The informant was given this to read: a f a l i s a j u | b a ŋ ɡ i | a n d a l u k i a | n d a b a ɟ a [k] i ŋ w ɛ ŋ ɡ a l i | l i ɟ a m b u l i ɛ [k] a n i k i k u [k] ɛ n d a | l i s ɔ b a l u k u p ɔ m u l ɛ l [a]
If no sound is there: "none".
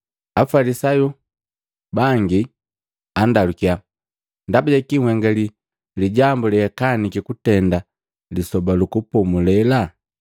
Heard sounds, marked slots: k, k, t, a

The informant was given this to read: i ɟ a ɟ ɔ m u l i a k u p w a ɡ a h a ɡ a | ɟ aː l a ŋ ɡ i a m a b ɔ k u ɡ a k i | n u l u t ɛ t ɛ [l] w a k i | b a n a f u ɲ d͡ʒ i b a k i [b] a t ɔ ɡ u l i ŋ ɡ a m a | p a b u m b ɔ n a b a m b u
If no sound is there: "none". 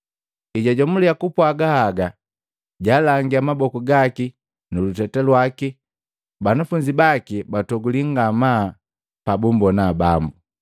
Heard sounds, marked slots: l, b

